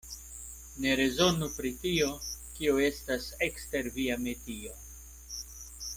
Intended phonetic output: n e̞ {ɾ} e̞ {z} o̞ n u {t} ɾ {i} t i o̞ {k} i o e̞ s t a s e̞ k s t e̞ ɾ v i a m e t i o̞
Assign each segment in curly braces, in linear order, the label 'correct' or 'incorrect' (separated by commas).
correct, correct, incorrect, correct, correct